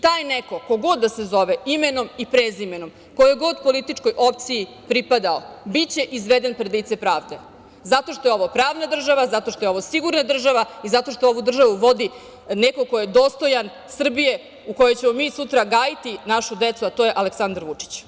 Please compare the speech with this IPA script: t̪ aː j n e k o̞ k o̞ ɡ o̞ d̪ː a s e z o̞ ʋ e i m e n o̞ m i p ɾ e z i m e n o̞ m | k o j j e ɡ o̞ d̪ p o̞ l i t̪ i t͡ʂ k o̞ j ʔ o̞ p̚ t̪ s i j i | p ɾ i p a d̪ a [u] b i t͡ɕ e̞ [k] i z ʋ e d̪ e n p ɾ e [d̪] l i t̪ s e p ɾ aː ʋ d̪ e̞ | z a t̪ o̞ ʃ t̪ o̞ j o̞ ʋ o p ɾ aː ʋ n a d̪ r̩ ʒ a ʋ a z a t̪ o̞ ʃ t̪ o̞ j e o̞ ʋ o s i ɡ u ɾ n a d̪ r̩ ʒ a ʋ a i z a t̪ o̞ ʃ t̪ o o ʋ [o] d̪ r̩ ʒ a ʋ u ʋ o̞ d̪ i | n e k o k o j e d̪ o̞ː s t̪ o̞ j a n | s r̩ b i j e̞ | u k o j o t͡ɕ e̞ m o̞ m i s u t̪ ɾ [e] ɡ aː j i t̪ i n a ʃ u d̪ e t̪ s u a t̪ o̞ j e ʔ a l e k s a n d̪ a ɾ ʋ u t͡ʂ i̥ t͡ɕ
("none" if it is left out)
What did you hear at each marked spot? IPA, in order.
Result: o, ʔ, d̪, u, a

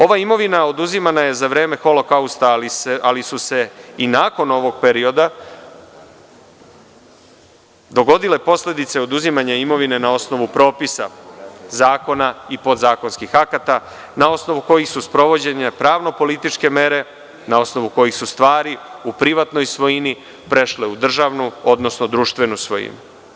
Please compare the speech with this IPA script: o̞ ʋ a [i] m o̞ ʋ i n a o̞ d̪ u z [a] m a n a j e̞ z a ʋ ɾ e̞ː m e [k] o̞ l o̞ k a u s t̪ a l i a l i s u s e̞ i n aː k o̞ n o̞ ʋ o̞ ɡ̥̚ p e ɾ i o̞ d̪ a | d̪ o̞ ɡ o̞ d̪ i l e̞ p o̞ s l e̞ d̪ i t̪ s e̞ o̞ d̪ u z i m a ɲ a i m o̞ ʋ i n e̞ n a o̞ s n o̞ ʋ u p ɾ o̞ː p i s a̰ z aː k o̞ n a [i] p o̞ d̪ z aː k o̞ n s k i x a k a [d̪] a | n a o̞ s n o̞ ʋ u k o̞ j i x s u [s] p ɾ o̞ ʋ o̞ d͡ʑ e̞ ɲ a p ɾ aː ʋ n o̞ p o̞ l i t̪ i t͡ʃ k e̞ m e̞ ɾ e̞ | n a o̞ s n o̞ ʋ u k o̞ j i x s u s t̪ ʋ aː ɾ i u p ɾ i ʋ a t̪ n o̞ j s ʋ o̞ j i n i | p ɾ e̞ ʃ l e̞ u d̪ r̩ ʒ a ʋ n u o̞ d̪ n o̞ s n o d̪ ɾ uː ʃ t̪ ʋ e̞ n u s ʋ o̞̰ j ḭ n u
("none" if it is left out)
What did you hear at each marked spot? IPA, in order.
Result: i, i, x, i, t̪, s

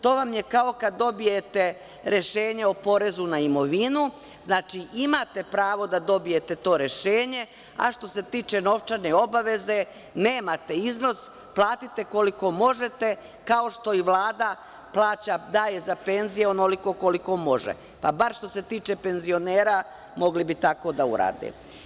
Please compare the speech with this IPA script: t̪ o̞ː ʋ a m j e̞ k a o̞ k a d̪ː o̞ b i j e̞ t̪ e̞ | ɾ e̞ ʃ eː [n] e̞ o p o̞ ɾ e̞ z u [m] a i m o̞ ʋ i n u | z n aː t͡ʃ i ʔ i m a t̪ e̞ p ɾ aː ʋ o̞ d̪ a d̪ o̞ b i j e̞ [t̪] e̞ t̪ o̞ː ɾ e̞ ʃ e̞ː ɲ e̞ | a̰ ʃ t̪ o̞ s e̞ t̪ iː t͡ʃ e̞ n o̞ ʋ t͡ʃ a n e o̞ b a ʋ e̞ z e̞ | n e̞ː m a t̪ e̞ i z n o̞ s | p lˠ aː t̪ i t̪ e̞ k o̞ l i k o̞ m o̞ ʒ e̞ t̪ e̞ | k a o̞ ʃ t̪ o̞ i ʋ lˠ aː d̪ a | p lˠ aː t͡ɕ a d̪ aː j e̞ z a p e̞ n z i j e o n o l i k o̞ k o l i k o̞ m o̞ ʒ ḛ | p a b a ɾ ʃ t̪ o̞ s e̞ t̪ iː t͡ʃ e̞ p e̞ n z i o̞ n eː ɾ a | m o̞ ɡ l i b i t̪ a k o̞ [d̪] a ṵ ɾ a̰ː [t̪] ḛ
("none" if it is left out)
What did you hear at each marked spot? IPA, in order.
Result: ɲ, n, t̪, d̪, d̪

